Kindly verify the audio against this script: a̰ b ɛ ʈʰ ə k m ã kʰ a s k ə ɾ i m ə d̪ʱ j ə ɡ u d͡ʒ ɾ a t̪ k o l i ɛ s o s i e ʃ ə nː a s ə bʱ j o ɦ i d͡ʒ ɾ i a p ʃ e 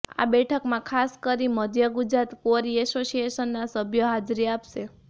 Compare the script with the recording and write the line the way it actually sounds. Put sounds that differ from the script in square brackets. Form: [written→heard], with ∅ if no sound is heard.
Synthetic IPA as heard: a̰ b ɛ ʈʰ ə k m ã kʰ a s k ə ɾ i m ə d̪ʱ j ə ɡ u d͡ʒ ɾ a t̪ k o [l→ɾ] i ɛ s o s i e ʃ ə nː a s ə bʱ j o ɦ [i→a] d͡ʒ ɾ i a p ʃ e